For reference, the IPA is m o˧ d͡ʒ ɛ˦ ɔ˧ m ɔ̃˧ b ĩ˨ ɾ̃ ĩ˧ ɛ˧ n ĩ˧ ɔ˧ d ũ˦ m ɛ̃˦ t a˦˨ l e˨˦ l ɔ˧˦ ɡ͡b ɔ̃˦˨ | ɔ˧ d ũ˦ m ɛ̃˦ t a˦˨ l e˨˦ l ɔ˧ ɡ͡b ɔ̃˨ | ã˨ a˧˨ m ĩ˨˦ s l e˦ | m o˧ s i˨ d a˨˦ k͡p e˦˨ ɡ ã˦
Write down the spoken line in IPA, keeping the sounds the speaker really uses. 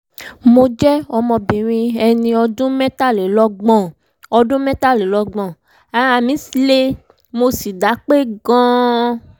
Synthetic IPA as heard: m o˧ d͡ʒ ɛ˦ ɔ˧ m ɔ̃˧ b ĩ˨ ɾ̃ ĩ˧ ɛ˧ n ĩ˧ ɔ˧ d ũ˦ m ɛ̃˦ t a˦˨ l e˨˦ l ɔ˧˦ ɡ͡b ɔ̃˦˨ | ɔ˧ d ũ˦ m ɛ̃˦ t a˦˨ l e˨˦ l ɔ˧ ɡ͡b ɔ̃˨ | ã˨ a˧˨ m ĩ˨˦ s l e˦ | m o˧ s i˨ d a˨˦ k͡p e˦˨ ɡ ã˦